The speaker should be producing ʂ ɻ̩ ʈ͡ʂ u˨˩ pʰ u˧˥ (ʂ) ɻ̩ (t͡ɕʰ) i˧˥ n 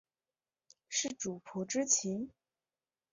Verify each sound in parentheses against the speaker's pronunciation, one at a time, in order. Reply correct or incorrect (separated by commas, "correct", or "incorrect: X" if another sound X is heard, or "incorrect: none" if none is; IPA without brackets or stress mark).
incorrect: ʈ͡ʂ, correct